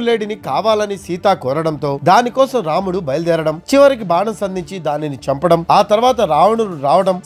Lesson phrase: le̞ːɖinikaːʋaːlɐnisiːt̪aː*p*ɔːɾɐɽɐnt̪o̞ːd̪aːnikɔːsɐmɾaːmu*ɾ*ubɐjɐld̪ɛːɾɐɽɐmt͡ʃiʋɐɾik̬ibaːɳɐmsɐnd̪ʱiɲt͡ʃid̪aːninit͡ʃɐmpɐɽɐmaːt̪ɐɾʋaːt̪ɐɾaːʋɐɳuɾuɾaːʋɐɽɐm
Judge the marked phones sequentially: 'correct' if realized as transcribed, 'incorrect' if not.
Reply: incorrect, incorrect

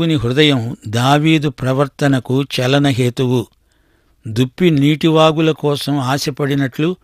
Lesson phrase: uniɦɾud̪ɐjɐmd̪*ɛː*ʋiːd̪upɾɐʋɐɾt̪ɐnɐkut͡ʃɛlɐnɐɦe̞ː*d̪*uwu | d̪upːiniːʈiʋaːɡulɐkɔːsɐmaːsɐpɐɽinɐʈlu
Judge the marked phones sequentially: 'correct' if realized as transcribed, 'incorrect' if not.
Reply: incorrect, incorrect

